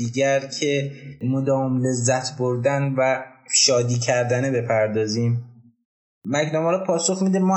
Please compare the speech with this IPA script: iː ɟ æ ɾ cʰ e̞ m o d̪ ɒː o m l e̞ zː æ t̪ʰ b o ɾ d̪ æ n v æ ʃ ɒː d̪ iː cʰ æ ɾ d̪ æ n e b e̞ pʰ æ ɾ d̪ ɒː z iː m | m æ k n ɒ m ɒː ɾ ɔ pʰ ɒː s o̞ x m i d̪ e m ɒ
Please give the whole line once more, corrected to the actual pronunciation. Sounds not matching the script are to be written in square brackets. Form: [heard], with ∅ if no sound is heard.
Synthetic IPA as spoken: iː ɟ æ ɾ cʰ e̞ m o d̪ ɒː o m l e̞ zː æ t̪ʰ b o ɾ d̪ æ n v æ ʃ ɒː d̪ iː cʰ æ ɾ d̪ æ n e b e̞ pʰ æ ɾ d̪ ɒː z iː m | m æ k n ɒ m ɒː ɾ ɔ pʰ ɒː s o̞ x m i d̪ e m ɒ